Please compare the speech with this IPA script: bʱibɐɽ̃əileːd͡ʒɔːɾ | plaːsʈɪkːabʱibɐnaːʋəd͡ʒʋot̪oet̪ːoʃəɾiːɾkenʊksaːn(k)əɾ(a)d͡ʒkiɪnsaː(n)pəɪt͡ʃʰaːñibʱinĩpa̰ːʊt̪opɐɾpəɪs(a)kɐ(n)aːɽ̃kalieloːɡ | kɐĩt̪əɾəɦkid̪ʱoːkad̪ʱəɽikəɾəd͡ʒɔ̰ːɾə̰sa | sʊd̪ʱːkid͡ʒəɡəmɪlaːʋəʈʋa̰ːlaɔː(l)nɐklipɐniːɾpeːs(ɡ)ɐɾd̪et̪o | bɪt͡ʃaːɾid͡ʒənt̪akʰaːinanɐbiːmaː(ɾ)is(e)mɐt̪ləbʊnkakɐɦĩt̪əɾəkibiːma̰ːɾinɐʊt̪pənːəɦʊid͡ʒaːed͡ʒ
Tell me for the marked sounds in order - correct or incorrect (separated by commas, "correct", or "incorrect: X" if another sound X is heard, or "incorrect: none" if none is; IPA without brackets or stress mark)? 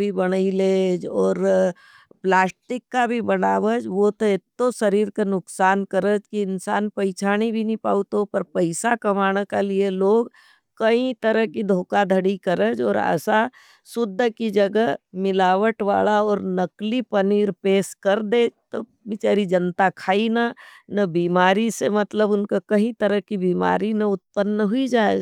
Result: correct, incorrect: ə, correct, correct, incorrect: m, incorrect: ɾ, incorrect: k, correct, correct